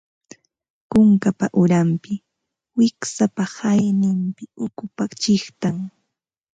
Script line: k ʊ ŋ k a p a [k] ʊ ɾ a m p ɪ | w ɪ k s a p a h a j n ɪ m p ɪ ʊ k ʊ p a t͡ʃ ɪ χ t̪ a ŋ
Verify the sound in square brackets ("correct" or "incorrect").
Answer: incorrect